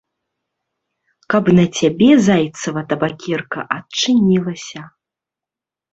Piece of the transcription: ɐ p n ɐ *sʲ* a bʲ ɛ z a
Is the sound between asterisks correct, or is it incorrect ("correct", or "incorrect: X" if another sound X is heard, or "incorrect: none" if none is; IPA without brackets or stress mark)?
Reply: incorrect: t͡sʲ